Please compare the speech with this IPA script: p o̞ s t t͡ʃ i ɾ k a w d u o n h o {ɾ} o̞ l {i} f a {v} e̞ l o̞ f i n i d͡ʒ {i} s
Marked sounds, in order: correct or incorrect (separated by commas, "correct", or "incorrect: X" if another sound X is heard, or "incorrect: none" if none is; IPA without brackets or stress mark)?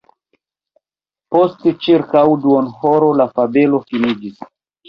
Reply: correct, incorrect: a, incorrect: b, correct